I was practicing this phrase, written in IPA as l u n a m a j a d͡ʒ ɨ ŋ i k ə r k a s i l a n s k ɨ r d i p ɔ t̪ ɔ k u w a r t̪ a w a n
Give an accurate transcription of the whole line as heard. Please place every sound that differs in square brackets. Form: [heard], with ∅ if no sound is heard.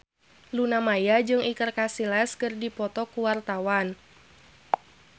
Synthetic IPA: l u n a m a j a d͡ʒ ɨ ŋ i k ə r k a s i l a [∅] s k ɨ r d i p ɔ t̪ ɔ k u w a r t̪ a w a n